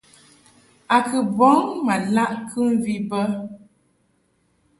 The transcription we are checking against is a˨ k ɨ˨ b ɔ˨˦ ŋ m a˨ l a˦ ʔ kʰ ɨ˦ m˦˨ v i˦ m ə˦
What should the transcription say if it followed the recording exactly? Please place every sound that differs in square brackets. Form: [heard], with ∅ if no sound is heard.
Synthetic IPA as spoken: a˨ k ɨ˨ b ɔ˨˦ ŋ m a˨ l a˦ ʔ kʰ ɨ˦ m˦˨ v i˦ [b] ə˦